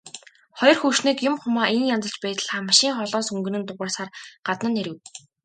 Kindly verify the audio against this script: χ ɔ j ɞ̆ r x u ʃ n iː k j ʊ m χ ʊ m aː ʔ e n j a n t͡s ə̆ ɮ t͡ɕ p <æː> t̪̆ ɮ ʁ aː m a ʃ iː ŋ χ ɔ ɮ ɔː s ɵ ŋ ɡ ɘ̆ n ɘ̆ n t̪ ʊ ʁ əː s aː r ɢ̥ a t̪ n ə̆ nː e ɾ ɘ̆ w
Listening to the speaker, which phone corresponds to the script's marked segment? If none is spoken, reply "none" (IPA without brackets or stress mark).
æː